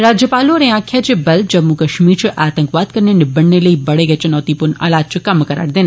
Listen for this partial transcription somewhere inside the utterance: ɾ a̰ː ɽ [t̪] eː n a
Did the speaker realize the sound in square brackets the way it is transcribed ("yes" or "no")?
no